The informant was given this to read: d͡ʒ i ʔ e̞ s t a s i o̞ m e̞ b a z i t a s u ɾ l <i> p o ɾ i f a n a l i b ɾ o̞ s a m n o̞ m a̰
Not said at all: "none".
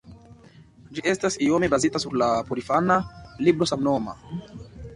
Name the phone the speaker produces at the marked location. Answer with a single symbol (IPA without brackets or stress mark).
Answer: a